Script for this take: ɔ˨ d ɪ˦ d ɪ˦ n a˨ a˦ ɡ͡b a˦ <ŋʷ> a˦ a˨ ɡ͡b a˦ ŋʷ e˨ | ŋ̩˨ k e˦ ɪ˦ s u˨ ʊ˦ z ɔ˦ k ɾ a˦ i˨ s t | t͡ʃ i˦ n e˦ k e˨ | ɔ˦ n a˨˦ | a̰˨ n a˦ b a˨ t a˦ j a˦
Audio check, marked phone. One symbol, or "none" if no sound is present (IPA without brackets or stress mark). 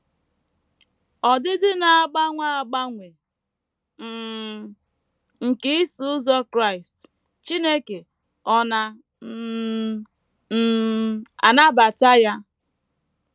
ŋʷ